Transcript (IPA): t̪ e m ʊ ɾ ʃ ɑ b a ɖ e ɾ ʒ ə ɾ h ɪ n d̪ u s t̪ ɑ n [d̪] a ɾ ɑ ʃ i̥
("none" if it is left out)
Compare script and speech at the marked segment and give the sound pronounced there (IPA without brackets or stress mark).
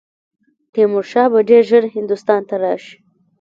t̪